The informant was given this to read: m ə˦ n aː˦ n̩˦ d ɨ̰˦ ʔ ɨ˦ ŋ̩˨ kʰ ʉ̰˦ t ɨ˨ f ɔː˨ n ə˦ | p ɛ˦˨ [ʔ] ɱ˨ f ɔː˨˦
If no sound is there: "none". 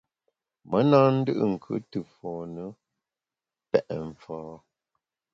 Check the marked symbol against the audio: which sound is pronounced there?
ʔ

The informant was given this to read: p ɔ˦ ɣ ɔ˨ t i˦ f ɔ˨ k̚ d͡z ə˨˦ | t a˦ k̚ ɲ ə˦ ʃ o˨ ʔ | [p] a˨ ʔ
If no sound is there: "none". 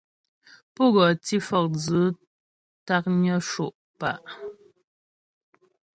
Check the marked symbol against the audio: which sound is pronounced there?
p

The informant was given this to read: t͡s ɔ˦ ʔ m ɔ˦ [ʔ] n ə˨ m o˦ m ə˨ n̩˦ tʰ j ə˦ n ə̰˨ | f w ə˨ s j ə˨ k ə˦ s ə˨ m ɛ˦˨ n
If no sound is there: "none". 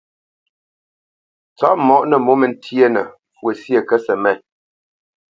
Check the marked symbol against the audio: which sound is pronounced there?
ʔ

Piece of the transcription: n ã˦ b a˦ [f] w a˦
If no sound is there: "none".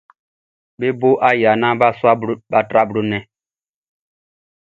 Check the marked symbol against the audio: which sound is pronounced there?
s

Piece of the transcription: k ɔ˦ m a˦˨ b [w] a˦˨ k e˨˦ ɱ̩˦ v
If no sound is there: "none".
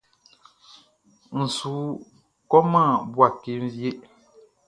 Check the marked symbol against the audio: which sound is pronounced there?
w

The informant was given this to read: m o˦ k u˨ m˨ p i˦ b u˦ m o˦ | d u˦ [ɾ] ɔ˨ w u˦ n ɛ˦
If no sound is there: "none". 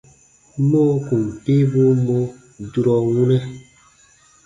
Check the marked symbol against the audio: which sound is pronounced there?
ɾ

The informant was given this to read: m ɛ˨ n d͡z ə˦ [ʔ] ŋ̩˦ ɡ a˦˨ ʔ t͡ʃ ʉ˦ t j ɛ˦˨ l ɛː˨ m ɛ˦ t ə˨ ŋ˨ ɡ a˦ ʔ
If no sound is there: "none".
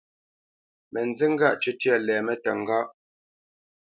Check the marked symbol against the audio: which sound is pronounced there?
none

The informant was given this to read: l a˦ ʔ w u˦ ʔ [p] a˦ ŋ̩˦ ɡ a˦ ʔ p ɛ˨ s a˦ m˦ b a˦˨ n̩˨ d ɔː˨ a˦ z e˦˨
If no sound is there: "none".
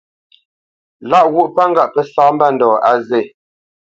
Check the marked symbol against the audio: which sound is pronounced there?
p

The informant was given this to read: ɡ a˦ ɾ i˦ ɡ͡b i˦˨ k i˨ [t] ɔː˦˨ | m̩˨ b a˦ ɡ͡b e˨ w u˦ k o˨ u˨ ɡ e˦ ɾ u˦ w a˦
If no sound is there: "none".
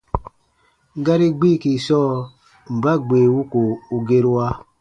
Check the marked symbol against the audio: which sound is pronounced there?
s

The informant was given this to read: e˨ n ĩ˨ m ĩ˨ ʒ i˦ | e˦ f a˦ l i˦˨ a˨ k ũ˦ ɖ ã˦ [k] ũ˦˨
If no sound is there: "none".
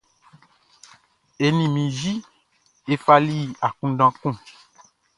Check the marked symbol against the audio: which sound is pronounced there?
k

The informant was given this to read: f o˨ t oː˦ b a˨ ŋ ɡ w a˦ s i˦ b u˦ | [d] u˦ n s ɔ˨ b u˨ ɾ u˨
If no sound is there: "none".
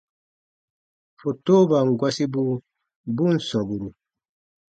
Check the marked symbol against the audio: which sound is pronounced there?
b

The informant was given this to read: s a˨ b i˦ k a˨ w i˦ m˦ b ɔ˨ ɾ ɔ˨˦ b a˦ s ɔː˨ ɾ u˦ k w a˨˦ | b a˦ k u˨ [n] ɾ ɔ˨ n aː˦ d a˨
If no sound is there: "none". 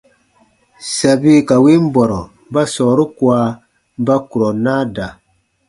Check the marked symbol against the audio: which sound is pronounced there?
none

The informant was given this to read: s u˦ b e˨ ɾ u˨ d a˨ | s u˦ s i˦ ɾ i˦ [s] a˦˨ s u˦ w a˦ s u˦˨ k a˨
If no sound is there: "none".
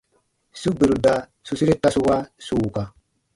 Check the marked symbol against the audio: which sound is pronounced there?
t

